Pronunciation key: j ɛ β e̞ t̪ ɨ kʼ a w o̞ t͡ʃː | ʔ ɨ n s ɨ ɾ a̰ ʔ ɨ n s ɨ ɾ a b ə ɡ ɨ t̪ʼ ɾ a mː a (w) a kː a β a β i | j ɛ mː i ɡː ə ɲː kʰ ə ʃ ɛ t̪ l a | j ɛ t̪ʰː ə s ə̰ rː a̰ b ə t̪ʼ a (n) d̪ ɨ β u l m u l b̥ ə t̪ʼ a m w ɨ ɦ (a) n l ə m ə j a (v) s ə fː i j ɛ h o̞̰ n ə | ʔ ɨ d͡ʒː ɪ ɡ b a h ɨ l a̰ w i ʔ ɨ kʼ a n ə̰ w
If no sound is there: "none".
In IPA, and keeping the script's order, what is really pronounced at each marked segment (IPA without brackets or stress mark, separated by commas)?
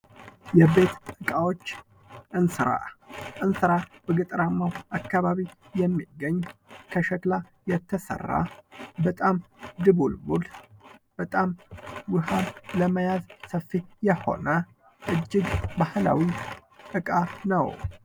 w, m, a, z